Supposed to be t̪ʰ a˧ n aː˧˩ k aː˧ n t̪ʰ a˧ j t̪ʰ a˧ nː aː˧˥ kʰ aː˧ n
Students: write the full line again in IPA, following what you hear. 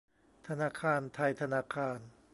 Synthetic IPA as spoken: t̪ʰ a˧ n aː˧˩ kʰ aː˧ n t̪ʰ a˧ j t̪ʰ a˧ n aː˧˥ kʰ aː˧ n